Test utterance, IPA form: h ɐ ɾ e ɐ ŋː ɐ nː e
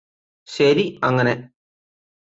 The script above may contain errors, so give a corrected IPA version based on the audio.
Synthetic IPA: ɕ ɐ ɾ i ɐ ŋː ɐ n e